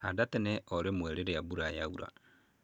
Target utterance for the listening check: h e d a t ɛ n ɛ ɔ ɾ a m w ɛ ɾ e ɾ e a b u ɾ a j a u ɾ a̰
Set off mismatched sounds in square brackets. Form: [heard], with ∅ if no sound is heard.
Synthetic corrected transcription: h [a] d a t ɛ n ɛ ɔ ɾ [e] m w ɛ ɾ e ɾ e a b u ɾ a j a u ɾ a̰